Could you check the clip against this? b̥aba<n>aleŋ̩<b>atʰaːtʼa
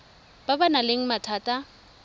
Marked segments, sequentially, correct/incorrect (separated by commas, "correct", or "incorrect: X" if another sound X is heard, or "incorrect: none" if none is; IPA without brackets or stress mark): correct, incorrect: m